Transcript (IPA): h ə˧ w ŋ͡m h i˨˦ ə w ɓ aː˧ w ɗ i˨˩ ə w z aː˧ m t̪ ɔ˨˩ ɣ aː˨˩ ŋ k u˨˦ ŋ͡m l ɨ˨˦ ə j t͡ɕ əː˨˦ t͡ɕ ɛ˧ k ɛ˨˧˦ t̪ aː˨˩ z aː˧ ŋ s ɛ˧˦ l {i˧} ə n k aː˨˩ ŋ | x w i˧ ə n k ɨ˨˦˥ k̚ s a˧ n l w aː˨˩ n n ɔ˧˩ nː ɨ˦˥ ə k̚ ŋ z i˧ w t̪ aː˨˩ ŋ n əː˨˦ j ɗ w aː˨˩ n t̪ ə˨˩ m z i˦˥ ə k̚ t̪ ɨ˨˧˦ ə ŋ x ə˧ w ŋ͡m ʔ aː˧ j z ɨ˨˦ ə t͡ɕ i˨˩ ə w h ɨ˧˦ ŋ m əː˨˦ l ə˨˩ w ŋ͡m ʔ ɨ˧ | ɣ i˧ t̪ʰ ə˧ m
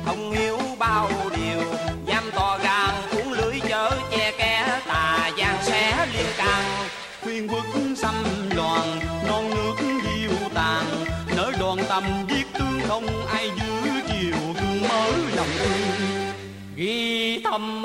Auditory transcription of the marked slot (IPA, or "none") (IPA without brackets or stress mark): i˧